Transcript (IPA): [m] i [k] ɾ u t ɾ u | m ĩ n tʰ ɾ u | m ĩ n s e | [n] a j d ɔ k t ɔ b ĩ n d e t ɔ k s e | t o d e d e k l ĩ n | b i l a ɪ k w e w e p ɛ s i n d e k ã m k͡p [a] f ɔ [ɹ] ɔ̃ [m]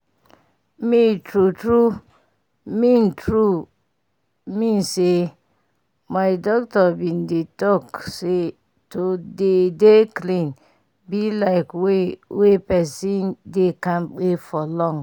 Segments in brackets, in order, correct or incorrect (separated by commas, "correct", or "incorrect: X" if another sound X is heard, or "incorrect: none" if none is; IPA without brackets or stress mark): correct, incorrect: t, incorrect: m, incorrect: e, incorrect: l, incorrect: ŋ